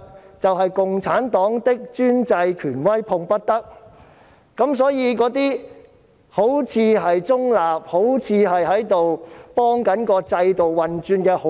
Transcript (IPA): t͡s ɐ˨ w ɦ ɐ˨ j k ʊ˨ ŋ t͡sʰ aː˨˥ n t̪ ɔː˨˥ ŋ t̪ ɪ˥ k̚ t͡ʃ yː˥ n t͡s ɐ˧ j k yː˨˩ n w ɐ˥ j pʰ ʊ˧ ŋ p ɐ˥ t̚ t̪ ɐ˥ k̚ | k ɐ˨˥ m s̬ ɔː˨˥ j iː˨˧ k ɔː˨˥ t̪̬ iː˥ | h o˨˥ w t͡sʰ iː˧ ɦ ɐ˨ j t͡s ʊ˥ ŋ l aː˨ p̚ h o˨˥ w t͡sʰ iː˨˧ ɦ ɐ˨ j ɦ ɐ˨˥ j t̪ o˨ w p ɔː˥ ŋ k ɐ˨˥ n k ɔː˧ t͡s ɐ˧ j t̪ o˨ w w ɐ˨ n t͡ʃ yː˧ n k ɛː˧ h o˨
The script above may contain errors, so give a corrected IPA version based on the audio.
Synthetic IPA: t͡s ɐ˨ w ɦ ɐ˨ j k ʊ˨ ŋ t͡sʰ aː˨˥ n t̪ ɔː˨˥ ŋ t̪ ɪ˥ k̚ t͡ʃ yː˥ n t͡s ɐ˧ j kʰ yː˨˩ n w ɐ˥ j pʰ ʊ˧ ŋ p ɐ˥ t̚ t̪ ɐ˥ k̚ | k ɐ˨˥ m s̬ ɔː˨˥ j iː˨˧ k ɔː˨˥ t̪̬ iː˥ | h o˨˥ w t͡sʰ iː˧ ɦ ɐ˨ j t͡s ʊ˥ ŋ l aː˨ p̚ h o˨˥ w t͡sʰ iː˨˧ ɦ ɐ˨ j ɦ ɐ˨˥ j t̪ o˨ w p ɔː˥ ŋ k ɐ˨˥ n k ɔː˧ t͡s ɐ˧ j t̪ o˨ w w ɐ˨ n t͡ʃ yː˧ n k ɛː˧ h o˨